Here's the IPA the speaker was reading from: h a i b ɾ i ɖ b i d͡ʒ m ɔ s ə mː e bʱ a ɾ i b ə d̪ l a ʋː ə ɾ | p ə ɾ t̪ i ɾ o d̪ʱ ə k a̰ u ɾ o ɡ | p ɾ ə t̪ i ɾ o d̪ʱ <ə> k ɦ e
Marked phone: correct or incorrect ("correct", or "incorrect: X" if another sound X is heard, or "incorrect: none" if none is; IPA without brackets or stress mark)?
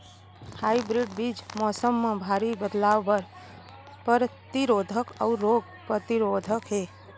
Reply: correct